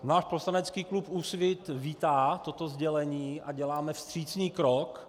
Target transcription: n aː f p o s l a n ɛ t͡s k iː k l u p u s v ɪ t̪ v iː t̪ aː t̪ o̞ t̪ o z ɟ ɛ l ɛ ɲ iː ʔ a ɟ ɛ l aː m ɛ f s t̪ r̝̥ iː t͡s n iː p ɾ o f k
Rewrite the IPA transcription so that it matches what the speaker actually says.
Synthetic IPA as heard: n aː ʃ p o s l a n ɛ t͡s k iː k l u p u s v ɪ t̪ v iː t̪ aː t̪ o̞ t̪ o z ɟ ɛ l ɛ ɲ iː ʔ a ɟ ɛ l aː m ɛ f s t̪ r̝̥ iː t͡s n iː k ɾ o k